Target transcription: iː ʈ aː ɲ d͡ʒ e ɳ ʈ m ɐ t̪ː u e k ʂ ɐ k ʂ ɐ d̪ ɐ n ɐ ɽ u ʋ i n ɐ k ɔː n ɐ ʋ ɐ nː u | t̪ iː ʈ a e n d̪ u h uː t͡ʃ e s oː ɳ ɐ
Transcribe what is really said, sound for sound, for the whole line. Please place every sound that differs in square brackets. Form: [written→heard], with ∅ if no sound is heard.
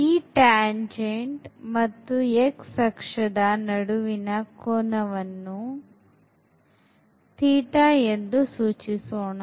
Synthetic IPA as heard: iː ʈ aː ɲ d͡ʒ e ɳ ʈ m ɐ t̪ː u e k [ʂ→s] ɐ k ʂ ɐ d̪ ɐ n ɐ ɽ u ʋ i n ɐ k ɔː n ɐ ʋ ɐ nː u | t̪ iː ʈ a e n d̪ u [h→s] uː t͡ʃ [e→i] s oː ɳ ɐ